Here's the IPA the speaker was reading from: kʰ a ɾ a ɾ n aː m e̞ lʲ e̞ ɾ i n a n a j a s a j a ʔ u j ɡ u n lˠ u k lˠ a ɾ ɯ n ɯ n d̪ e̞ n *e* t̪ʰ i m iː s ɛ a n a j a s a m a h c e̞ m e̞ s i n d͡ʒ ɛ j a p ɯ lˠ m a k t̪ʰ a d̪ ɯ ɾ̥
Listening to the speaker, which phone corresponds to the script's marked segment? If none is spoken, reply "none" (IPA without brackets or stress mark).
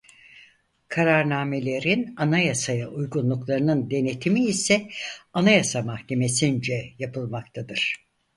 e